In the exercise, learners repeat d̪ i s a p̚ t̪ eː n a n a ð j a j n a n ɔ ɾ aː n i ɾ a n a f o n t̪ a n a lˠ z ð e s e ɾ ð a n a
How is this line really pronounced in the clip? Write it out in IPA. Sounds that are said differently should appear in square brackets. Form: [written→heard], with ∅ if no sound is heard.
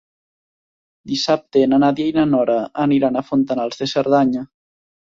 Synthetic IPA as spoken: d̪ i s a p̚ t̪ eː n a n a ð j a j n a n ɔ ɾ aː n i ɾ a n a f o n t̪ a n a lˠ z ð e s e ɾ ð a [n→ɲ] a